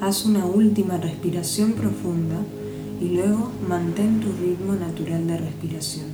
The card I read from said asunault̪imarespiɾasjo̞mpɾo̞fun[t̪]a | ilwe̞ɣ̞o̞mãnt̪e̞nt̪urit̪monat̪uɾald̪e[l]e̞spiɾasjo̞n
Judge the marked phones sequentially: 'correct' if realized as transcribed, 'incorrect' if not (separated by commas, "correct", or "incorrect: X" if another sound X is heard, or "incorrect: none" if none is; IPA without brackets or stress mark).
incorrect: d̪, incorrect: r